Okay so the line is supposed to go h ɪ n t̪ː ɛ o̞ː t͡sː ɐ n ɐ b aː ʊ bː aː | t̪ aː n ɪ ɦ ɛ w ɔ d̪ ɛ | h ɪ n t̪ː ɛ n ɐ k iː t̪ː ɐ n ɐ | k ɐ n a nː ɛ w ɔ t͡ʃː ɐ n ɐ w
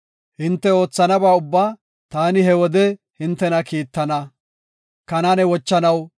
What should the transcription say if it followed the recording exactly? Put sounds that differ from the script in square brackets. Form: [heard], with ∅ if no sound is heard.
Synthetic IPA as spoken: h ɪ n t̪ː ɛ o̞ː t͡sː ɐ n ɐ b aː ʊ bː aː | t̪ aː n ɪ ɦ ɛ w ɔ d̪ ɛ | h ɪ n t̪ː ɛ n ɐ k iː t̪ː ɐ n ɐ | k ɐ n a [n] ɛ w ɔ t͡ʃː ɐ n ɐ w